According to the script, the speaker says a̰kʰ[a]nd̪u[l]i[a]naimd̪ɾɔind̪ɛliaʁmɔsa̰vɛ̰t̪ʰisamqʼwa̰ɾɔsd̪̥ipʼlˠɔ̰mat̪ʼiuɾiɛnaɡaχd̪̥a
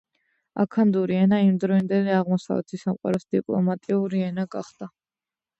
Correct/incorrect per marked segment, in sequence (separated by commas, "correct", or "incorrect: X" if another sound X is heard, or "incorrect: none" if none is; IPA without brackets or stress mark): correct, incorrect: ɾ, incorrect: ɛ